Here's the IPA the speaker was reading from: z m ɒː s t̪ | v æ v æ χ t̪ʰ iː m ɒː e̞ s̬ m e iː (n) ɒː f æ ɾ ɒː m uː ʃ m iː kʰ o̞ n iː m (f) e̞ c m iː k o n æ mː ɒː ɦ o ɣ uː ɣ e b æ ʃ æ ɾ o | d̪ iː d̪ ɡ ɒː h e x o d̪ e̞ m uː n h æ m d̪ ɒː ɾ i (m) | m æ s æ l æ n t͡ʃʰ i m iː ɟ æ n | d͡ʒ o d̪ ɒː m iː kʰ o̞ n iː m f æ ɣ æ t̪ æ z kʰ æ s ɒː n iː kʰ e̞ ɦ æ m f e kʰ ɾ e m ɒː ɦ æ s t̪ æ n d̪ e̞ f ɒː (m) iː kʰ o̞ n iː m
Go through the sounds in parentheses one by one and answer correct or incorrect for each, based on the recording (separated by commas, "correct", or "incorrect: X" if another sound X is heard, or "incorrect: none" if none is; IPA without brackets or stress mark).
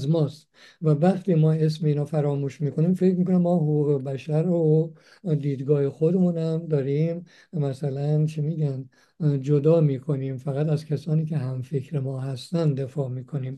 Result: correct, correct, correct, correct